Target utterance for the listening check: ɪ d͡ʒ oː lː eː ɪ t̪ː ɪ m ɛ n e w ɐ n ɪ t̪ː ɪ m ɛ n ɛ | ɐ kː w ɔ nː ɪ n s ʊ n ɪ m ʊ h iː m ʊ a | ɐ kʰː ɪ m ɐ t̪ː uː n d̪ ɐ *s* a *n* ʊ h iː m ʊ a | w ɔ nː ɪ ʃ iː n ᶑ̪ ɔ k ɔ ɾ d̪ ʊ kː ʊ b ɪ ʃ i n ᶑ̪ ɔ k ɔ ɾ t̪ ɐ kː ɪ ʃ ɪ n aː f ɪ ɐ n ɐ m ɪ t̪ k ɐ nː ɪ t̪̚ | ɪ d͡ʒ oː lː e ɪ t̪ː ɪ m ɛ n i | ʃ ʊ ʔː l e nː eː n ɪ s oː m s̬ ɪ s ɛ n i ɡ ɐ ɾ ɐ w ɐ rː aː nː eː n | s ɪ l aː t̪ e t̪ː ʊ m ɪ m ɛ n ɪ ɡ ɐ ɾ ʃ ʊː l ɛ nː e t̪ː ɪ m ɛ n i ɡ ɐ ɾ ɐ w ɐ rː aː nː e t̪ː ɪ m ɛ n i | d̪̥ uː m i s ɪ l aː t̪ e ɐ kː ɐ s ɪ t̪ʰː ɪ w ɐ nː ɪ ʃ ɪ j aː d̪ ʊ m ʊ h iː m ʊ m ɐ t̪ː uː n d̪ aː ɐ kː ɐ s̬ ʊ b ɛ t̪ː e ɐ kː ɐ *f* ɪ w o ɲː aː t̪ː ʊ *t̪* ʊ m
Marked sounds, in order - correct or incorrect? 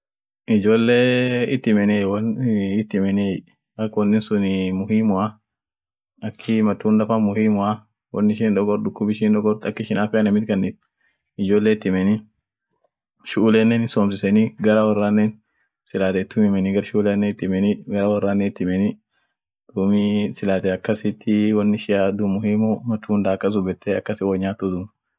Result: incorrect: f, incorrect: m, incorrect: s, incorrect: d̪

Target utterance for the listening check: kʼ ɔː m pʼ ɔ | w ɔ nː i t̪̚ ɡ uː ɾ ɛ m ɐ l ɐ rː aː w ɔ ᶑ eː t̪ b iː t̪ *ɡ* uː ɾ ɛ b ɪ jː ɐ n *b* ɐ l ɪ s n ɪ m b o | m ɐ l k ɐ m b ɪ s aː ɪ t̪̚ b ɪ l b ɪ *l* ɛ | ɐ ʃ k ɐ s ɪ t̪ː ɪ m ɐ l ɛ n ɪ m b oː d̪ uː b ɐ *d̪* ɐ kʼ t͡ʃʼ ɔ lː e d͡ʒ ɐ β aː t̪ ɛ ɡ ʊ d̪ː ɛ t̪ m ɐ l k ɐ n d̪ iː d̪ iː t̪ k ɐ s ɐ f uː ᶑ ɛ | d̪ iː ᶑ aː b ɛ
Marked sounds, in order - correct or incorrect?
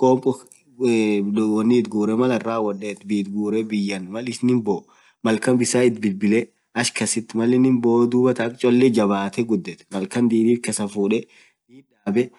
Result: correct, incorrect: m, correct, incorrect: t̪

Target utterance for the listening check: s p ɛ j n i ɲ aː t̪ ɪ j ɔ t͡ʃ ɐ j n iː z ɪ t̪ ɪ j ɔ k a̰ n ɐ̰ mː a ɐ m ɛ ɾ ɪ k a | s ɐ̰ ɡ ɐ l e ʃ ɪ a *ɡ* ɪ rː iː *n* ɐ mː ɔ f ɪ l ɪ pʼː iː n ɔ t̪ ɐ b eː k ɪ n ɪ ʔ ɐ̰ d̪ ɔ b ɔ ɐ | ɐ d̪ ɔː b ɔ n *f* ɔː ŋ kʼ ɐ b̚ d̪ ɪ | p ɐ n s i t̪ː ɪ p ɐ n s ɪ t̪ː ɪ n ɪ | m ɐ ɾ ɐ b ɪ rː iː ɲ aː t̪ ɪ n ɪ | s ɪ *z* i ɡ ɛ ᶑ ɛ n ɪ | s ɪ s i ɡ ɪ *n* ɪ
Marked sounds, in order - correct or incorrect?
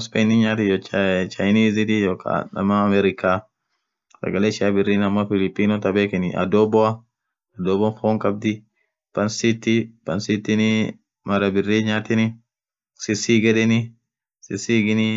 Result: incorrect: b, correct, correct, incorrect: s, correct

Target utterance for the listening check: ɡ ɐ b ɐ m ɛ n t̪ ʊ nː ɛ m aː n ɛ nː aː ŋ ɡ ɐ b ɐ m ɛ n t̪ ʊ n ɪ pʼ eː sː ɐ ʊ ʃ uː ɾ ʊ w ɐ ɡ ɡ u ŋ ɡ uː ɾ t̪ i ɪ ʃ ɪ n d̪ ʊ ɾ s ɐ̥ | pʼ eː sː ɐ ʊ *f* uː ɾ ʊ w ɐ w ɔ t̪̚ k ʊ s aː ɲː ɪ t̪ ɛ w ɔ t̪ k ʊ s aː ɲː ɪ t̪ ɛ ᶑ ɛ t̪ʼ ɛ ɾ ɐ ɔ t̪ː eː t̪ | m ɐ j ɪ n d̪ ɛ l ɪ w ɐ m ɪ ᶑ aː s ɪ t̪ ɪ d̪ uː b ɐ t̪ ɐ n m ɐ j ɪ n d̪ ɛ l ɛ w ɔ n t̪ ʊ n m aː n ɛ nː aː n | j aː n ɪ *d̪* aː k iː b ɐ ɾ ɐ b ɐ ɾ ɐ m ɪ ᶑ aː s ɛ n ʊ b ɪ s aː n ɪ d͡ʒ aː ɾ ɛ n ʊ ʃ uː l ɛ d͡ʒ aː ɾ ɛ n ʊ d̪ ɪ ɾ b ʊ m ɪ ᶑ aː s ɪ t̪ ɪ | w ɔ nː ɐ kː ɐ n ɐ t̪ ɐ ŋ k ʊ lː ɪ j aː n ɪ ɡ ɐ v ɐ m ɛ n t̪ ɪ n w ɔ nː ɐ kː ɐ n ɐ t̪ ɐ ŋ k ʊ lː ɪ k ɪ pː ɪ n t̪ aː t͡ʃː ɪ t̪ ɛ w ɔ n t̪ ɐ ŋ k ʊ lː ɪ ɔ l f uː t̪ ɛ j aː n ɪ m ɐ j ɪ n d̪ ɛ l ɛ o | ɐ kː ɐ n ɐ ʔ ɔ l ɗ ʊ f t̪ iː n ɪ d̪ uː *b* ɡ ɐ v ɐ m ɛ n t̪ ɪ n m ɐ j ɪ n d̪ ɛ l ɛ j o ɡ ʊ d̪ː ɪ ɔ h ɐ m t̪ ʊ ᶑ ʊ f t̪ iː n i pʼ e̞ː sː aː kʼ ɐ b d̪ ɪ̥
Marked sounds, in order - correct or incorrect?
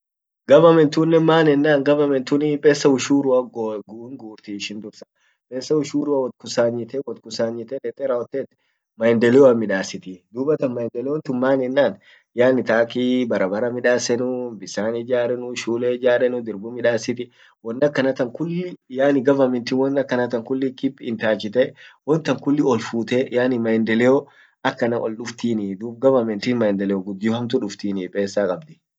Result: incorrect: ʃ, incorrect: t̪, correct

